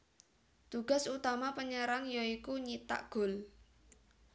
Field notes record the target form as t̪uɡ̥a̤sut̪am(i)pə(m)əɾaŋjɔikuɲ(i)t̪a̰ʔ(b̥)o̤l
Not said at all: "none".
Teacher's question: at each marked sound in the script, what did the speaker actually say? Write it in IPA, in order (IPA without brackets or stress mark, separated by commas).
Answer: a, ɲ, i, ɡ̥